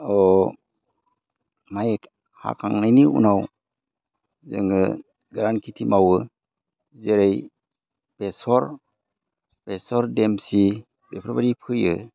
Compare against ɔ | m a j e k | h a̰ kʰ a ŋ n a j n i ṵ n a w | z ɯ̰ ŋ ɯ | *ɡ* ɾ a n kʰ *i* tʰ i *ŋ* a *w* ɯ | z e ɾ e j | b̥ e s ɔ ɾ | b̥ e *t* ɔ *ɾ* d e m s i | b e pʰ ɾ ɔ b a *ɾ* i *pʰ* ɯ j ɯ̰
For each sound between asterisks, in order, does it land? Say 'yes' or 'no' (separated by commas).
yes, yes, no, yes, no, yes, yes, yes